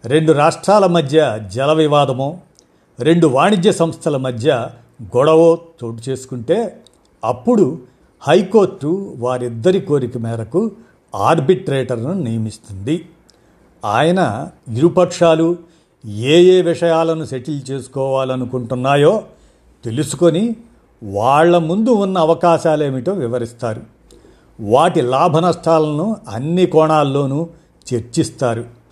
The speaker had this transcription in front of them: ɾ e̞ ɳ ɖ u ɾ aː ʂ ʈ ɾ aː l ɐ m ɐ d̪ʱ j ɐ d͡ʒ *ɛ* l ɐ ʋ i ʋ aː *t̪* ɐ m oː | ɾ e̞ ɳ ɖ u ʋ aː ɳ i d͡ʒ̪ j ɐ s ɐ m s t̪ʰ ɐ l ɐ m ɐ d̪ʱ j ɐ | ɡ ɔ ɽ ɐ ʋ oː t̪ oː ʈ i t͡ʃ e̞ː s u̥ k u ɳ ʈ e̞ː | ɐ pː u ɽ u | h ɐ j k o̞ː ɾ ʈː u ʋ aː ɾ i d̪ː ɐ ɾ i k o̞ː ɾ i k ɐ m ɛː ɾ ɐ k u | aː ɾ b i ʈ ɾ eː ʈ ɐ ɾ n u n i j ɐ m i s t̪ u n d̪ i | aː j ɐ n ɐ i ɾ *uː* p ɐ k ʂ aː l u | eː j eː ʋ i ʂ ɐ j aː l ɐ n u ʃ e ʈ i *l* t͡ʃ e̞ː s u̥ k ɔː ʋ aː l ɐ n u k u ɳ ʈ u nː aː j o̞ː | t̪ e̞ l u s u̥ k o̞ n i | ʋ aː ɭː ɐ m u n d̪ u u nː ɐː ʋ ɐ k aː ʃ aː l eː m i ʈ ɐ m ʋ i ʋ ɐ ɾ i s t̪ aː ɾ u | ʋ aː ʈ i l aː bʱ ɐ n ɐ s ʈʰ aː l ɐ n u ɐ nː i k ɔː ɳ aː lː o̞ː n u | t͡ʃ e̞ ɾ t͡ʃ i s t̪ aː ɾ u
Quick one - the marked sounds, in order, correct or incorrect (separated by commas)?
correct, incorrect, incorrect, correct